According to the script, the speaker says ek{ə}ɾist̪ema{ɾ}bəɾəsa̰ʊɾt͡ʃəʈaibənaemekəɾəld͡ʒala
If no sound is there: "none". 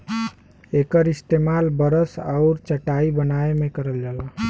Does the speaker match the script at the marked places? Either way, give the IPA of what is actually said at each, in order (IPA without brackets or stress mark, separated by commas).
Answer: ə, l